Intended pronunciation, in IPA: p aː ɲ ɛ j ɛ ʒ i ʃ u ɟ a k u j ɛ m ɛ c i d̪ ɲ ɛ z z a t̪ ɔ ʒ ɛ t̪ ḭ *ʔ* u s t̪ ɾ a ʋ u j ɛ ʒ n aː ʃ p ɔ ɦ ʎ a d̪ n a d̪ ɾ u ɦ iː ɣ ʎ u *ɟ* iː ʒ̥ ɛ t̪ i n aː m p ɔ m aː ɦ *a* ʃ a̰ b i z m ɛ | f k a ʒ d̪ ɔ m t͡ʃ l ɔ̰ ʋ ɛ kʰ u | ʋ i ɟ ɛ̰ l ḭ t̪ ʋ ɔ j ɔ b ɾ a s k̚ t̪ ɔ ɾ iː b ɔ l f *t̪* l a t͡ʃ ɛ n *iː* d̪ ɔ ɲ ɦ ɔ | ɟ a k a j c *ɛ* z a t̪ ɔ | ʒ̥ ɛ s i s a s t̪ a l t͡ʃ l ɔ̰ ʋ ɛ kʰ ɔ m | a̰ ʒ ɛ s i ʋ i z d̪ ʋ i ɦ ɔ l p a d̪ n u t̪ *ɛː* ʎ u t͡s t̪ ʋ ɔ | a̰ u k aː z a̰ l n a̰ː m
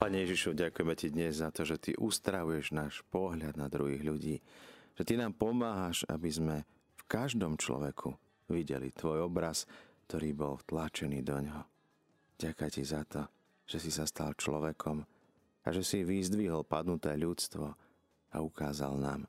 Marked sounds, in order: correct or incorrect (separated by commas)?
correct, correct, correct, correct, correct, incorrect, correct